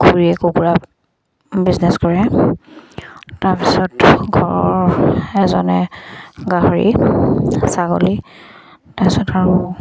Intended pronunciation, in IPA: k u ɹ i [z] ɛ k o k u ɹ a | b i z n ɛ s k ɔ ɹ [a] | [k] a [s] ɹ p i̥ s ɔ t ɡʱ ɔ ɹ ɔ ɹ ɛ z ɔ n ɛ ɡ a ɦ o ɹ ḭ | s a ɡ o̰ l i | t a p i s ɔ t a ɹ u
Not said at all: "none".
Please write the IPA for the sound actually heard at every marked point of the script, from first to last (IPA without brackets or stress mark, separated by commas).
none, ɛ, t, none